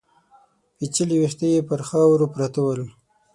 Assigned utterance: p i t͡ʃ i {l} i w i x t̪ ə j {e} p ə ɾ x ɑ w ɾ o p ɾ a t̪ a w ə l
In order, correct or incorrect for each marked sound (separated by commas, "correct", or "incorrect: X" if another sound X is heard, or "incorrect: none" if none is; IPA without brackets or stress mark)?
correct, correct